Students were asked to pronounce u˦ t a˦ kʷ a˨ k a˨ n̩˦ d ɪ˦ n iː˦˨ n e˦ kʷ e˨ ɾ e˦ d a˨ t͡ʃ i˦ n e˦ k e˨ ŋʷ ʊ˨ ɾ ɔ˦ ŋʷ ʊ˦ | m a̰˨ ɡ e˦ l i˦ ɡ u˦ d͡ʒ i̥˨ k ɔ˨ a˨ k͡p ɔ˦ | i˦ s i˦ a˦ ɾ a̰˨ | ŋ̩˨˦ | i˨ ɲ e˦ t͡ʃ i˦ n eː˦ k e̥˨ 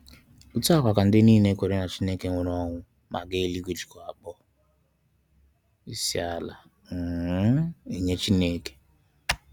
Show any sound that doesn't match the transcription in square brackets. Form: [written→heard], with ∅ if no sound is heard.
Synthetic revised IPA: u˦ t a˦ kʷ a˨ k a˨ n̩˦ d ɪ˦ n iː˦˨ n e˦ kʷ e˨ ɾ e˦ [d→n] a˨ t͡ʃ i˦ n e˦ k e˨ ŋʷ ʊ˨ ɾ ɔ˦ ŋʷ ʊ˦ | m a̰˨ ɡ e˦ l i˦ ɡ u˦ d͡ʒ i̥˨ k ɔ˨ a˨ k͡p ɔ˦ | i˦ s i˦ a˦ [ɾ→l] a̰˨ | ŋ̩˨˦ | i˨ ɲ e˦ t͡ʃ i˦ n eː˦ k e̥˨